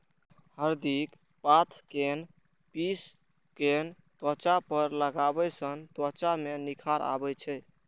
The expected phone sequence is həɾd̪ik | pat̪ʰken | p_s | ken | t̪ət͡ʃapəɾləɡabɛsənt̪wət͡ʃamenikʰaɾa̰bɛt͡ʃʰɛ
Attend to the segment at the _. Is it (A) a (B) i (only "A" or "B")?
B